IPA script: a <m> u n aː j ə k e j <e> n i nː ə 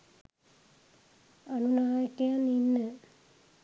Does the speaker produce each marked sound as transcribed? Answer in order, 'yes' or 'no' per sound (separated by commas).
no, no